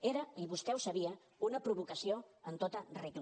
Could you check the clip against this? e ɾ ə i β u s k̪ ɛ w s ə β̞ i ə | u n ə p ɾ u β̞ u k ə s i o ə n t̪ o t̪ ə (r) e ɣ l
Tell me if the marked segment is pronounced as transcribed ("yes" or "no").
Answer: yes